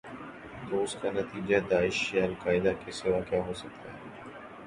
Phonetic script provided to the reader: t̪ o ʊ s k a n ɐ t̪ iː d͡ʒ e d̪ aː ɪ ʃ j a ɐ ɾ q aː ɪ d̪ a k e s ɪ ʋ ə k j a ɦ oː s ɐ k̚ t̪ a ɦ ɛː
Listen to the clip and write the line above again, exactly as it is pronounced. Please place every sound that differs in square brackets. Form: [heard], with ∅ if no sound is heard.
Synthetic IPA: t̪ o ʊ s k a n ɐ t̪ iː d͡ʒ [a] d̪ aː ɪ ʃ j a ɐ [l] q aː ɪ d̪ a k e s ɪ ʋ [a] k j a ɦ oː s ɐ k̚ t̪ a ɦ ɛː